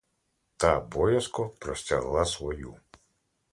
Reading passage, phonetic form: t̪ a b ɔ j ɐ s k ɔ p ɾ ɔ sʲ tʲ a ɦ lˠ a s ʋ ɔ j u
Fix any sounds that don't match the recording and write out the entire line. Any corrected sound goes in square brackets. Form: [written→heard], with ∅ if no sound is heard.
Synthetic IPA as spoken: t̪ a b ɔ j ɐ s k ɔ p ɾ ɔ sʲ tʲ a ɦ lˠ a s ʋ ɔ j u